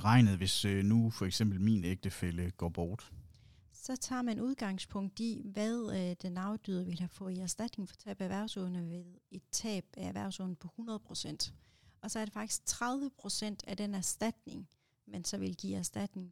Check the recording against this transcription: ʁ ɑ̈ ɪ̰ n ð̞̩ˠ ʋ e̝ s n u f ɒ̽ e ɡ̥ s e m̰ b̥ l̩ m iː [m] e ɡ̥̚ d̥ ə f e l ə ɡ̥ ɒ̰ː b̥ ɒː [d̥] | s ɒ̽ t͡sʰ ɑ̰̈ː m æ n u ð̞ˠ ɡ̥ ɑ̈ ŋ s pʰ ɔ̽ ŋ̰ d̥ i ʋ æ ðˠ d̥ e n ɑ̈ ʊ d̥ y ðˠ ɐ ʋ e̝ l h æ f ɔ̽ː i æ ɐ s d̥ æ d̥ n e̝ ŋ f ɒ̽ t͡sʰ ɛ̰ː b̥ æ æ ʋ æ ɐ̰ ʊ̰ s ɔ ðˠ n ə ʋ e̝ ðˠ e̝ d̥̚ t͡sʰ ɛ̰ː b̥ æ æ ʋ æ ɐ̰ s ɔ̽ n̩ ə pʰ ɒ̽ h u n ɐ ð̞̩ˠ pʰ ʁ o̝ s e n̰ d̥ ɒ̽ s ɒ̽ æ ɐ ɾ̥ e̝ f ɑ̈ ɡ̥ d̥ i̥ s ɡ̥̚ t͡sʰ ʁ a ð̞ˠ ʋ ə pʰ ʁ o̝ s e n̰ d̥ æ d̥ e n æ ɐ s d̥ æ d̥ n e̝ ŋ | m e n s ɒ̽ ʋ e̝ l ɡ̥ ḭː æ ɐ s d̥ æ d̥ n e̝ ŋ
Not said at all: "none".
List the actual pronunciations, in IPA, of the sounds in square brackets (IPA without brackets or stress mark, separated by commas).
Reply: n, d̥